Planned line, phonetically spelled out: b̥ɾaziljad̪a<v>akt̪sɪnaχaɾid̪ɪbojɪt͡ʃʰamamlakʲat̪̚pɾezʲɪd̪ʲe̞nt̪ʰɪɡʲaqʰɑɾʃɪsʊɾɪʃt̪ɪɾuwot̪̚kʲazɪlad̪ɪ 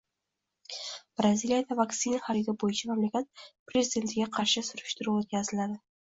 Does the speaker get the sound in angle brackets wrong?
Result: no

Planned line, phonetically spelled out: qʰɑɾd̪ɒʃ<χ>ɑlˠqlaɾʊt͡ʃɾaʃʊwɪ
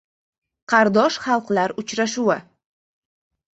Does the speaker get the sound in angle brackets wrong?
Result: no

